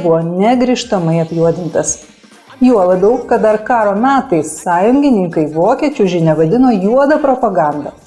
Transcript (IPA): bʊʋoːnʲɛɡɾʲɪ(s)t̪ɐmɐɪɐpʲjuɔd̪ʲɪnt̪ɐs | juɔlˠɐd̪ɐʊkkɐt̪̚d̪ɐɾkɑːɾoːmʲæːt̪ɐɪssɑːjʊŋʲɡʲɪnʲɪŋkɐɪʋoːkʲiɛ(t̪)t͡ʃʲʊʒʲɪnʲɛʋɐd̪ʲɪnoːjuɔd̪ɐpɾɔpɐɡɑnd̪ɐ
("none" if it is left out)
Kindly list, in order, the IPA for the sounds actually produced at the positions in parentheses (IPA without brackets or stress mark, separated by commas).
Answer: ʃ, none